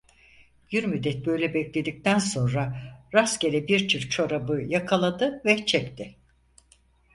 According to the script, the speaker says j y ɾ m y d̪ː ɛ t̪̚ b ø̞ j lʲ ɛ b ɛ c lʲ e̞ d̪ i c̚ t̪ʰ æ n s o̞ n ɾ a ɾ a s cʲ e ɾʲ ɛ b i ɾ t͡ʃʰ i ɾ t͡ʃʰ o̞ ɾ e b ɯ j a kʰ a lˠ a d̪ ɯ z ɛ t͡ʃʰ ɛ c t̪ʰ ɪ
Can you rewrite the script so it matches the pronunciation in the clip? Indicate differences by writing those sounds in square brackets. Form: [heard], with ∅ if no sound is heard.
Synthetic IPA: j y ɾ m y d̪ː ɛ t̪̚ b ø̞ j lʲ ɛ b ɛ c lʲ e̞ d̪ i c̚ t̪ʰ æ n s o̞ n ɾ a ɾ a s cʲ e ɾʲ ɛ b i ɾ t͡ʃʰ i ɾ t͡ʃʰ o̞ ɾ [a] b ɯ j a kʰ a lˠ a d̪ ɯ [v] ɛ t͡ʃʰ ɛ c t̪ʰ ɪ

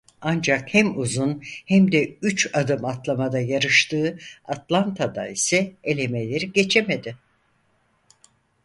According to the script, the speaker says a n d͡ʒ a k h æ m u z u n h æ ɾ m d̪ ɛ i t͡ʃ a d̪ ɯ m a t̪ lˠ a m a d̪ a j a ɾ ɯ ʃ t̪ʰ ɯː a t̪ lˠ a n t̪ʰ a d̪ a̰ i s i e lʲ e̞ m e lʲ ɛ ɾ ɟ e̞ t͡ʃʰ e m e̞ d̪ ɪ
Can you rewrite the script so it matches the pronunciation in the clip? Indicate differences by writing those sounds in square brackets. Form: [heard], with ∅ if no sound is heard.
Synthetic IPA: a n d͡ʒ a k h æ m u z u n h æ [∅] m d̪ ɛ [y] t͡ʃ a d̪ ɯ m a t̪ lˠ a m a d̪ a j a ɾ ɯ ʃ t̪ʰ ɯː a t̪ lˠ a n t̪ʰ a d̪ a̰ i s [ɛ] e lʲ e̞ m e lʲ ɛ ɾ ɟ e̞ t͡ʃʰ e m e̞ d̪ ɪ

